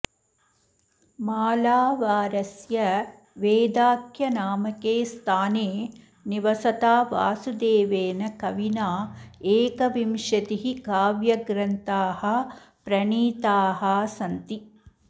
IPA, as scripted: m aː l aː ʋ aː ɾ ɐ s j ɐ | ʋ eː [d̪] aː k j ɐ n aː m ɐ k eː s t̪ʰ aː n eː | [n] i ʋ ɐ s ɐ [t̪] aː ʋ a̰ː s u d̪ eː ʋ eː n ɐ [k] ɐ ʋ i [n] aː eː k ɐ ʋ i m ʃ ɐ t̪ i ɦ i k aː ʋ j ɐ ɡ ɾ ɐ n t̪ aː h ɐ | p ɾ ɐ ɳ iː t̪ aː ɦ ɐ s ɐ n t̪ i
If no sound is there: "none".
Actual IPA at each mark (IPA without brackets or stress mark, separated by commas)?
d̪, n, t̪, k, n